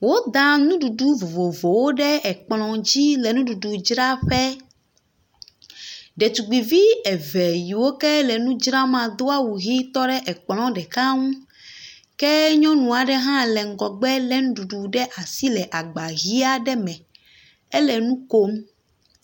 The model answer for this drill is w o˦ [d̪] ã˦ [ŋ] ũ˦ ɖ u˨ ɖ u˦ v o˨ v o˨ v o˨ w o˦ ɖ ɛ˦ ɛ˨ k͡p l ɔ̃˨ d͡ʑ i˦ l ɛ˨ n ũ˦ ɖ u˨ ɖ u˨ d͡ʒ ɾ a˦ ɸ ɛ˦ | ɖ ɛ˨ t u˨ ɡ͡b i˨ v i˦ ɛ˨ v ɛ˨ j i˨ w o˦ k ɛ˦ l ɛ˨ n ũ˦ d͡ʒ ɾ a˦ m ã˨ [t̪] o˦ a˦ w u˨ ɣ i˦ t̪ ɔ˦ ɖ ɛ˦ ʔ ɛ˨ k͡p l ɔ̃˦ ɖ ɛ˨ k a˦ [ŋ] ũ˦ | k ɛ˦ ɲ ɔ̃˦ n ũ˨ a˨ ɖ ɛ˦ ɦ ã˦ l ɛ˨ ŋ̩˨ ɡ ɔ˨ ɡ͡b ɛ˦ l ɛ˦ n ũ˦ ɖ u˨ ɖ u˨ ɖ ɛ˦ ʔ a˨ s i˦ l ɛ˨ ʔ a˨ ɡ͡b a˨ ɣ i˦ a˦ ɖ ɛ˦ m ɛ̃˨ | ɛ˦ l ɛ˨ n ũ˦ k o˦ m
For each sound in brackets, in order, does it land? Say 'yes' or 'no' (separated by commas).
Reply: yes, no, no, yes